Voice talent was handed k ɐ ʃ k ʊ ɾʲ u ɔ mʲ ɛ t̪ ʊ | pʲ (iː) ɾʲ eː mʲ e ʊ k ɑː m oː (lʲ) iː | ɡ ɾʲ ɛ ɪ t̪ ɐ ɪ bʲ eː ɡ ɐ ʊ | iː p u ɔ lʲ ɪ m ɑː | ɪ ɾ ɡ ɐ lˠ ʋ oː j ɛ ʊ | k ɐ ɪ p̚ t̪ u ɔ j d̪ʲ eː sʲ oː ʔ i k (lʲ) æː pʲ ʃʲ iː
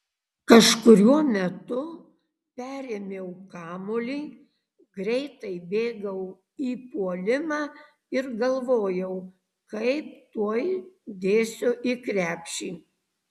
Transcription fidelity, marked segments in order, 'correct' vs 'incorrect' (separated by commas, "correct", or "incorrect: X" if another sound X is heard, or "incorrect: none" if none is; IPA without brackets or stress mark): incorrect: æː, correct, incorrect: ɾʲ